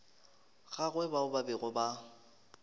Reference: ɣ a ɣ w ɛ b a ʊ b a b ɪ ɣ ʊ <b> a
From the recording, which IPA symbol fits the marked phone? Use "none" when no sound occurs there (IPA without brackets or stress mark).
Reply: b